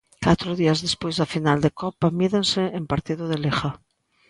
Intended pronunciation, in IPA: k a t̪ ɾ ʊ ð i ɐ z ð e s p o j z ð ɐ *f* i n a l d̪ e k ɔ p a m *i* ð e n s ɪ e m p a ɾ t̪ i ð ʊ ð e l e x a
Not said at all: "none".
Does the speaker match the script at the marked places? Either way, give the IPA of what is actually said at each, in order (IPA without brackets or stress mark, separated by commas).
f, i